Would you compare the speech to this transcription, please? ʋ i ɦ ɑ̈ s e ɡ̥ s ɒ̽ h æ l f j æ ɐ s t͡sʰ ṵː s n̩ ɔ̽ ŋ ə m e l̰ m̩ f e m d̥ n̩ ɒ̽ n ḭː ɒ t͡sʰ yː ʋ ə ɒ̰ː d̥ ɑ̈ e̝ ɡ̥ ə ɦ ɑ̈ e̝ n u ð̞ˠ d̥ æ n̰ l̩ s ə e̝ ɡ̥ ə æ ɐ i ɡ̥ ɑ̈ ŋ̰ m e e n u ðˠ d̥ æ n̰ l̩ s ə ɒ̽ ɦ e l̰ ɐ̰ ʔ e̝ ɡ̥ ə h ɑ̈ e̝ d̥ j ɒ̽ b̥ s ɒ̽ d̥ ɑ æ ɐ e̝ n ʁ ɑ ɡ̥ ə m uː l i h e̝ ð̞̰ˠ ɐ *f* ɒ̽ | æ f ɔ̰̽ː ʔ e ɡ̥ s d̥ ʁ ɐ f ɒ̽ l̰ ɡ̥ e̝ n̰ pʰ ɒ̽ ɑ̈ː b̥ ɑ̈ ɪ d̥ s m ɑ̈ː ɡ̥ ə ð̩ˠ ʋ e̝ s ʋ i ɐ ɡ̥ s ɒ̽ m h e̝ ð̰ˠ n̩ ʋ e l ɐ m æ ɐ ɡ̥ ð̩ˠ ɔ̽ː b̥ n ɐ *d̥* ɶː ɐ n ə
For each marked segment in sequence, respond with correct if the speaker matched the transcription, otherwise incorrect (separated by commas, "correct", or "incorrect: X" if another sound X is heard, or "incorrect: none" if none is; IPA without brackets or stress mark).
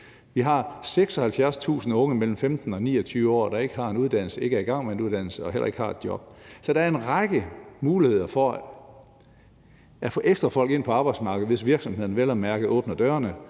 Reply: correct, correct